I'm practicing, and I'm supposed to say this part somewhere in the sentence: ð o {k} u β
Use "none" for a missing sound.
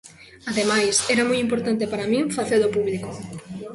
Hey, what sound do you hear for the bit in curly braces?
p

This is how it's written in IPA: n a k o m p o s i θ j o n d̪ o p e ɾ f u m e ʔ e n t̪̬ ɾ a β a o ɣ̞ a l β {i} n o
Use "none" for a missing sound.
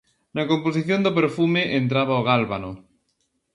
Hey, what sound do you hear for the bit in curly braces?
a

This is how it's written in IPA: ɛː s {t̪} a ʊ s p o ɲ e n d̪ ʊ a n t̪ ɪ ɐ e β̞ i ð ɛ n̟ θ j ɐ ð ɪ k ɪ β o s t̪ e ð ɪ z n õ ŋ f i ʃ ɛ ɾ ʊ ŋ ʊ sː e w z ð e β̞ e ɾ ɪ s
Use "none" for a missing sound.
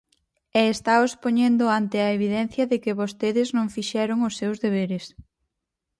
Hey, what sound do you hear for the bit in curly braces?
t̪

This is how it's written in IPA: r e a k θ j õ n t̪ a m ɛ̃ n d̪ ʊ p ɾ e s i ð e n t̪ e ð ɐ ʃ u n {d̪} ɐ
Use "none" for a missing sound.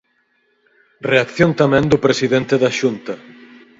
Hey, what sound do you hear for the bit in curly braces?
t̪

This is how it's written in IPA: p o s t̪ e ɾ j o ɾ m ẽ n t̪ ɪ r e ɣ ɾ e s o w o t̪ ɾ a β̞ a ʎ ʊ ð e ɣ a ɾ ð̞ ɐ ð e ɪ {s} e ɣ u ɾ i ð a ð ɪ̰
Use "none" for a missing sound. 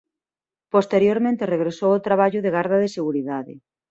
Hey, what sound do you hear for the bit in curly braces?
s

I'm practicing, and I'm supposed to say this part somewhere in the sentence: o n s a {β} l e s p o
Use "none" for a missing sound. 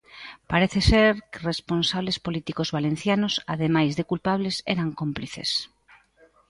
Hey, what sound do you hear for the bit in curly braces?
β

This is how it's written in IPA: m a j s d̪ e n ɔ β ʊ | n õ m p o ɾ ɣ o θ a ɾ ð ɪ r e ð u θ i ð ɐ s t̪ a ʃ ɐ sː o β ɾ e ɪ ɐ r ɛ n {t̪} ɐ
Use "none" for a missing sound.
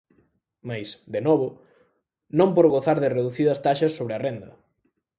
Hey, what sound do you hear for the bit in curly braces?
d̪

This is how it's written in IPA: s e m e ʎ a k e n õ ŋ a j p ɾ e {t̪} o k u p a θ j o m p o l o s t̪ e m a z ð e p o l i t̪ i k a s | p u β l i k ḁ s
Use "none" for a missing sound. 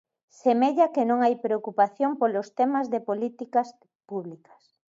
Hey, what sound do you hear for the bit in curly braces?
none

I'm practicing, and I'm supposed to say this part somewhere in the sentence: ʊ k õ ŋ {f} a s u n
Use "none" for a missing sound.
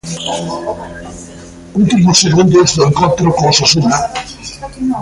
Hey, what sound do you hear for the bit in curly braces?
s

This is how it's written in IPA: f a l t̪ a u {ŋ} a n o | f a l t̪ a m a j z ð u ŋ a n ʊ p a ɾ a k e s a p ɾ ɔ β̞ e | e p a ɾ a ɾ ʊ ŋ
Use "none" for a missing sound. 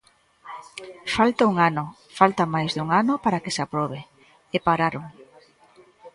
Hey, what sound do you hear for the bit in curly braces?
ŋ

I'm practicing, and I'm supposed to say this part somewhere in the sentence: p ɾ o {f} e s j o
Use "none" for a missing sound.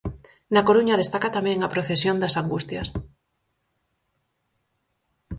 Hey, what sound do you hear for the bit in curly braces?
θ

